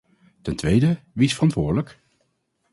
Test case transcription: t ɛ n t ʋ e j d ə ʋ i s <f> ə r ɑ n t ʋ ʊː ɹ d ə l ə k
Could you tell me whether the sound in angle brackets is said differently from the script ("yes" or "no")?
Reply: no